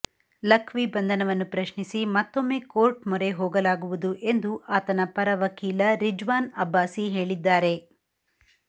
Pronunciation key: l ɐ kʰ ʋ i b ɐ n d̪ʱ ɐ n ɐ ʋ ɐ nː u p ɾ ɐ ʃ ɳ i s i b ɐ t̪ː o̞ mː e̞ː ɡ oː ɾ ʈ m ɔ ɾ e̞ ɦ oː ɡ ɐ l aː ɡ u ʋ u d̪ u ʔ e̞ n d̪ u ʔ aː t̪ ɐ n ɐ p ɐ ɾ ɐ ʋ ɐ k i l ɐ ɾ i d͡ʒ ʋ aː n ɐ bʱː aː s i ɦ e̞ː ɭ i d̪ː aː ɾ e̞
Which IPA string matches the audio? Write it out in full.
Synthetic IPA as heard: l ɐ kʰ ʋ i b ɐ n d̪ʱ ɐ n ɐ ʋ ɐ nː u p ɾ ɐ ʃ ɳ i s i m ɐ t̪ː o̞ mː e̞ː k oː ɾ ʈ m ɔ ɾ e̞ ɦ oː ɡ ɐ l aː ɡ u ʋ u d̪ u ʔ e̞ n d̪ u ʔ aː t̪ ɐ n ɐ p ɐ ɾ ɐ ʋ ɐ k iː l ɐ ɾ i d͡ʒ ʋ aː n ɐ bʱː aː s i ɦ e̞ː ɭ i d̪ː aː ɾ e̞